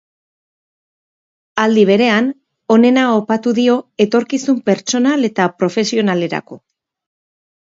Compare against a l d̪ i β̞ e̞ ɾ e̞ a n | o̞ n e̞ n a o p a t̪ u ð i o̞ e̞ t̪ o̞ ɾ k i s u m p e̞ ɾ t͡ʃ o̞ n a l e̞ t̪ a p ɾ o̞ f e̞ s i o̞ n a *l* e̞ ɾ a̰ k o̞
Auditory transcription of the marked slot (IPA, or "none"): l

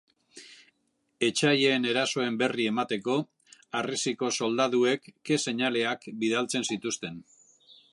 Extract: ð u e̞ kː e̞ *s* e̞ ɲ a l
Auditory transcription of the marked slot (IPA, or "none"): s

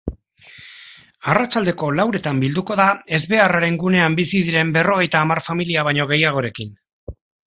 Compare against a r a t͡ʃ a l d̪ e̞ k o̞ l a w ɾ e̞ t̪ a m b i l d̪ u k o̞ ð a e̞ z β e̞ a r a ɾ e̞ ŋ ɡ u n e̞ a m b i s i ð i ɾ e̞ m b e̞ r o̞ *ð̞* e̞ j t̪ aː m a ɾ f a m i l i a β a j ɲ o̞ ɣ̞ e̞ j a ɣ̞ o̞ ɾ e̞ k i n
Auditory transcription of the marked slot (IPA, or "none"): ɣ̞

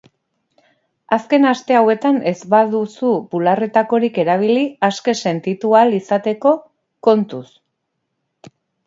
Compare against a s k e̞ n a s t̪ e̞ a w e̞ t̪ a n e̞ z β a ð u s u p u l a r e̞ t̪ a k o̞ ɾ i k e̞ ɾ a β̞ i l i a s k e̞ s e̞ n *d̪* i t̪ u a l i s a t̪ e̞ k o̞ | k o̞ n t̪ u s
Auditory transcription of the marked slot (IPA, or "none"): t̪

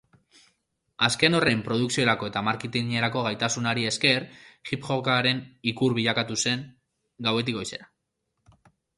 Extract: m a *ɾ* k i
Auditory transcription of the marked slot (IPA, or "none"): ɾ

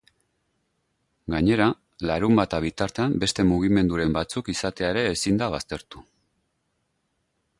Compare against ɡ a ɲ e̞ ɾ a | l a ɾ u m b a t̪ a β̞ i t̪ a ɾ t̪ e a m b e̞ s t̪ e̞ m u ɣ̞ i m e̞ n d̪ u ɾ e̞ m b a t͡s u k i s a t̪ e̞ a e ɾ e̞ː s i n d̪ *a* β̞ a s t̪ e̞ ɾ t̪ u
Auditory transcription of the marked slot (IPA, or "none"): a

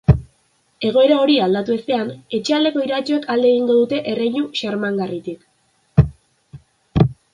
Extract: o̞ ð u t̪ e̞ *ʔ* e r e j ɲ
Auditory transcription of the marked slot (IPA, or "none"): ʔ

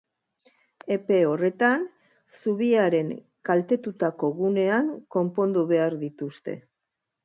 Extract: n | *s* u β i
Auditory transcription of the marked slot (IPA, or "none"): s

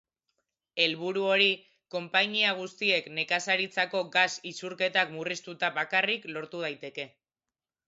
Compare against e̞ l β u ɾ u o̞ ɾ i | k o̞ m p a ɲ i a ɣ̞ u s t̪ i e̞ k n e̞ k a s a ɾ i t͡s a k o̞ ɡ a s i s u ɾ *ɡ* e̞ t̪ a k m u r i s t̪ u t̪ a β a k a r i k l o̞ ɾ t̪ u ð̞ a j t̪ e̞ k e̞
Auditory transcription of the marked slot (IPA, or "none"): k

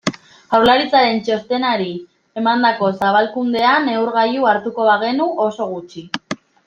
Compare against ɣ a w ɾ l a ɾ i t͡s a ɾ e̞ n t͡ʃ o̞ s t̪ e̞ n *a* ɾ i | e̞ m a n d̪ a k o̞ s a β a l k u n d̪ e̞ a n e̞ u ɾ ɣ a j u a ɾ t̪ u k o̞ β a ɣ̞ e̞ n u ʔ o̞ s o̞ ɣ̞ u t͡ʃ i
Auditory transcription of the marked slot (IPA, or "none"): a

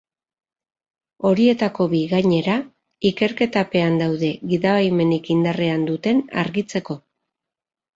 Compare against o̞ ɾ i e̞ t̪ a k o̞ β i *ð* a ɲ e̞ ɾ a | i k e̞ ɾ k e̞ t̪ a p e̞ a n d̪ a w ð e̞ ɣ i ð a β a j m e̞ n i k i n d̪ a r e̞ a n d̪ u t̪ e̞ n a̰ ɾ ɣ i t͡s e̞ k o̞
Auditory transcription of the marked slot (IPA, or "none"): ɣ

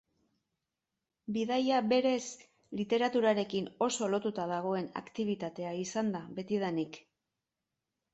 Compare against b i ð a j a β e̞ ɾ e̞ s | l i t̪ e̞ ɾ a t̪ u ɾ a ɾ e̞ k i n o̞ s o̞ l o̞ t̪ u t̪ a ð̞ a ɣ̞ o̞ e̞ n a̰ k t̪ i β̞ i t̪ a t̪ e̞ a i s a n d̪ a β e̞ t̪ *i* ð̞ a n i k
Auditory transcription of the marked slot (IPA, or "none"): i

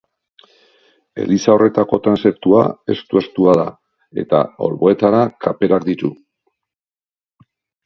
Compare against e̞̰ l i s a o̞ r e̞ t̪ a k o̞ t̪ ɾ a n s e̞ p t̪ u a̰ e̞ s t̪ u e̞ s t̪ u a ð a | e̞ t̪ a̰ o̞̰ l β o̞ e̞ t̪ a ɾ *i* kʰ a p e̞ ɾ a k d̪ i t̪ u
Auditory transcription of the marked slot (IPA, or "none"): a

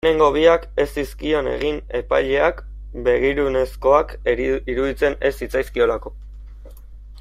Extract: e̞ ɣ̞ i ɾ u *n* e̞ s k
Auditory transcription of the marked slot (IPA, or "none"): n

